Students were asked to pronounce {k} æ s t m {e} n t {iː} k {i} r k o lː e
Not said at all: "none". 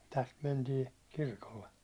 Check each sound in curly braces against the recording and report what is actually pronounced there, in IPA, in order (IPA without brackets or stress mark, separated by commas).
t, e, iː, i